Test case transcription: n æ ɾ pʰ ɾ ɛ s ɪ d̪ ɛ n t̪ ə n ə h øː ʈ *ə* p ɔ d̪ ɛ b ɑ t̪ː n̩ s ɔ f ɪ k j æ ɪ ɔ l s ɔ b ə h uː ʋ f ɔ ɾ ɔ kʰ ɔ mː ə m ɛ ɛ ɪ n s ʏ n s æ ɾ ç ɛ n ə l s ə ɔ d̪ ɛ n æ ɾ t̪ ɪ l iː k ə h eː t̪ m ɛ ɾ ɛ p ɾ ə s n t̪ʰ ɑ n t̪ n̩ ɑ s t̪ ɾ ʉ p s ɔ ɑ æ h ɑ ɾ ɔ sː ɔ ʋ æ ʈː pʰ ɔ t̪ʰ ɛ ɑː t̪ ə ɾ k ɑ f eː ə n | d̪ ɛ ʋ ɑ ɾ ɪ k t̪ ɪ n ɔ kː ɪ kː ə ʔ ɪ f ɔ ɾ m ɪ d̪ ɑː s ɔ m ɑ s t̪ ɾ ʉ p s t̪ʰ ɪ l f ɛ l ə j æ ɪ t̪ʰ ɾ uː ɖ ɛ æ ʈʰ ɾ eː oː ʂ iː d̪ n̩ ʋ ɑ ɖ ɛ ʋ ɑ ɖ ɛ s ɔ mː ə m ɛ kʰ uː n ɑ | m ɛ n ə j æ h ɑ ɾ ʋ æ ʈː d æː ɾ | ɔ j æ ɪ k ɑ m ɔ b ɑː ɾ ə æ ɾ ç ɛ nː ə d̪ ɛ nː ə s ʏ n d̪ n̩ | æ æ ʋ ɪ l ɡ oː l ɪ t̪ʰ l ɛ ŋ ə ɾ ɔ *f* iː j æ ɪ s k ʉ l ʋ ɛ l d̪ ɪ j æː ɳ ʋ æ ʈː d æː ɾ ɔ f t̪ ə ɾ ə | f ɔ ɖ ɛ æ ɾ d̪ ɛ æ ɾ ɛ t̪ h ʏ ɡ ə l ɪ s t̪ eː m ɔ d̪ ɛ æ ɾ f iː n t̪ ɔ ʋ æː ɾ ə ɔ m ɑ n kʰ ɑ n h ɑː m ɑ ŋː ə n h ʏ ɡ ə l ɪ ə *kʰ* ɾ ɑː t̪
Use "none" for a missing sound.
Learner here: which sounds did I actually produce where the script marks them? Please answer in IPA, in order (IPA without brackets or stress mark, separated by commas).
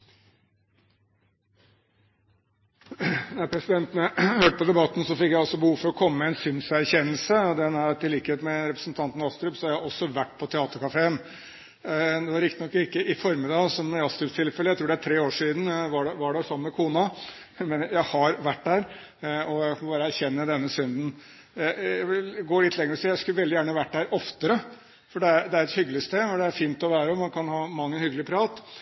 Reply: ə, s, pʰ